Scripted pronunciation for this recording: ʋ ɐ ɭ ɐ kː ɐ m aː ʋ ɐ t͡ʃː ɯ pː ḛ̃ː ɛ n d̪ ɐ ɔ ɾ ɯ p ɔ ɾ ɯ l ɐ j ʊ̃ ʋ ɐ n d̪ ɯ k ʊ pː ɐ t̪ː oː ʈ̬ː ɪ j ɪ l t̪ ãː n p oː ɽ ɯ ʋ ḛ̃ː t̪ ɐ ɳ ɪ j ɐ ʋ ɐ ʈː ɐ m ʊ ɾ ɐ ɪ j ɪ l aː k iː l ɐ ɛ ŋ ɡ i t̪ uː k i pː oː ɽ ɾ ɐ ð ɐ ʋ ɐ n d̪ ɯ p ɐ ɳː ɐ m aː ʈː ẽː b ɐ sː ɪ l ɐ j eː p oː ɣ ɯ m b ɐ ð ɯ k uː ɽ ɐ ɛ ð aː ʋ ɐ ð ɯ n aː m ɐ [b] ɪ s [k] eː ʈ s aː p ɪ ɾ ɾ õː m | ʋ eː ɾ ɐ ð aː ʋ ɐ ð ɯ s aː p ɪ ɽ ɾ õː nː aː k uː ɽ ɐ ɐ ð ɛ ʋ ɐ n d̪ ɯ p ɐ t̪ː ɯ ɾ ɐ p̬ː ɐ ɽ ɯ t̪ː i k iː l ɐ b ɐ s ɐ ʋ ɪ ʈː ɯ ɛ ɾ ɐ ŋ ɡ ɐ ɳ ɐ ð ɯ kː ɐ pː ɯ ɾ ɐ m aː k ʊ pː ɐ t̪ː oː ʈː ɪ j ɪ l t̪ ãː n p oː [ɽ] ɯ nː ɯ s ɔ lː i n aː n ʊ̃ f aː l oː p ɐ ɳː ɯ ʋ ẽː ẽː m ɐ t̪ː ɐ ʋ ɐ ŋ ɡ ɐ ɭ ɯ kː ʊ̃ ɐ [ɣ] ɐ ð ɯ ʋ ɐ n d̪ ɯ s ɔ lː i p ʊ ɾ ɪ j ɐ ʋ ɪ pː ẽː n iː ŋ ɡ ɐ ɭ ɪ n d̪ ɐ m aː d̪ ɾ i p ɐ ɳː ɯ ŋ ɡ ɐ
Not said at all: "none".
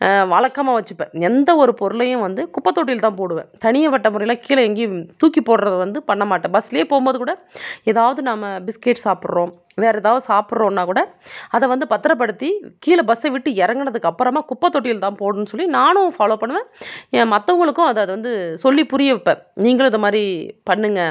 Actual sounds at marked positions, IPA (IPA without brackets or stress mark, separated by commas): b, k, ɽ, ð